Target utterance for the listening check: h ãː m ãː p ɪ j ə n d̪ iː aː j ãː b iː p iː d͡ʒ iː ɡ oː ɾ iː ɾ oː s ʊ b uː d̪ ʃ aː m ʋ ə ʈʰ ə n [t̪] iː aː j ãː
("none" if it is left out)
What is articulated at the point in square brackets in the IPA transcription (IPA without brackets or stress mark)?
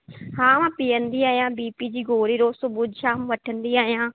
d̪